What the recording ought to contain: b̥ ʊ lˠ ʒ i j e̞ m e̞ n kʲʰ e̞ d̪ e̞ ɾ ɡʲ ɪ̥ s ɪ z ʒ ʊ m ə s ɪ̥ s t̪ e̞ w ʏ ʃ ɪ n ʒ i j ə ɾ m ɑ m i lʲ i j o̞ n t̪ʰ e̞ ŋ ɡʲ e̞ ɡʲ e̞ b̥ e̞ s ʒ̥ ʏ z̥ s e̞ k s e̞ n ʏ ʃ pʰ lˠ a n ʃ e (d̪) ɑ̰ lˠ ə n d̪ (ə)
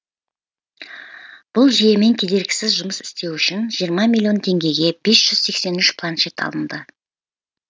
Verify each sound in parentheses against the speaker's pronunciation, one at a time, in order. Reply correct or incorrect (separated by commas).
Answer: incorrect, correct